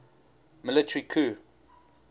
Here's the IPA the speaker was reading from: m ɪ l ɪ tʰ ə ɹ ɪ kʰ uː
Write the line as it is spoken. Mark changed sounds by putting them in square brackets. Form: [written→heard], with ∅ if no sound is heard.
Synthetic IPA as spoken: m ɪ l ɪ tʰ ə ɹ [ɪ→i] kʰ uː

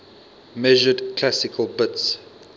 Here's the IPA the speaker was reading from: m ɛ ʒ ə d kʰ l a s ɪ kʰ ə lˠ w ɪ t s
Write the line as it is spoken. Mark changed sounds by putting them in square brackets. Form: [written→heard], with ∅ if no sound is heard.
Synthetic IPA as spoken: m ɛ ʒ ə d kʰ l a s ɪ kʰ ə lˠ [w→b] ɪ t s

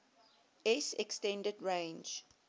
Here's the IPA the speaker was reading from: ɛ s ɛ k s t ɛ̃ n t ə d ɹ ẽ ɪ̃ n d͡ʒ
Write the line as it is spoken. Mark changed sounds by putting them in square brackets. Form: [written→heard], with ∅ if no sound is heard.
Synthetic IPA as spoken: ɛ s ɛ k s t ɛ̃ n [t→d] ə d ɹ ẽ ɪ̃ n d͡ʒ

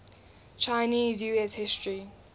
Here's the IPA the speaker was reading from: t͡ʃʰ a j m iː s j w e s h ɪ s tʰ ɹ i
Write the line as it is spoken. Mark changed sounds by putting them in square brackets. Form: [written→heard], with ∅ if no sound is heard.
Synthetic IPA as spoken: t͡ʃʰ a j [m→n] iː [s→z] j [w→u] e s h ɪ s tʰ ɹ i

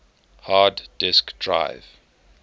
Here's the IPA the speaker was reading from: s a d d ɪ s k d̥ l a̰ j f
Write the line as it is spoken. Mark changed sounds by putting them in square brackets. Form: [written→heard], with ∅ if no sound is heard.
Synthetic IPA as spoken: [s→h] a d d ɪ s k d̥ [l→ɹ] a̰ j [f→v]

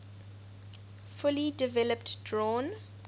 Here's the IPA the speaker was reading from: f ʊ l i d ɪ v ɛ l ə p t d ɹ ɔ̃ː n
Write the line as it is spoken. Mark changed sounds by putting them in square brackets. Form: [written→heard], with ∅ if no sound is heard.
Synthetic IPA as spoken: f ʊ l i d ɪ v ɛ l ə p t d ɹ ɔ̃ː n

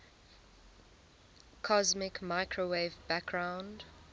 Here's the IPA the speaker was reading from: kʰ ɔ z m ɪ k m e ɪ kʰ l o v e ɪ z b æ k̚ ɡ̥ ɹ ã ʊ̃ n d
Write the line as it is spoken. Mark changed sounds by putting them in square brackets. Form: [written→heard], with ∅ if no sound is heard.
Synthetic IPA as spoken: kʰ ɔ z m ɪ k m [e→a] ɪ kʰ [l→ɹ] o [v→w] e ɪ [z→v] b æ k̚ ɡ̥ ɹ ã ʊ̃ n d

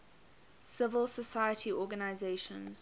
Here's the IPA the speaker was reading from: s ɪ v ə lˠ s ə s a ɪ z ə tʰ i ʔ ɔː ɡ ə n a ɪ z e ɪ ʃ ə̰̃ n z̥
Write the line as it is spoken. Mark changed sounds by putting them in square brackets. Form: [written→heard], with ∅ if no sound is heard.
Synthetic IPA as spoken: s ɪ v ə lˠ s ə s a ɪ [z→∅] ə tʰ i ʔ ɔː ɡ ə n a ɪ z e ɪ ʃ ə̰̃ n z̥

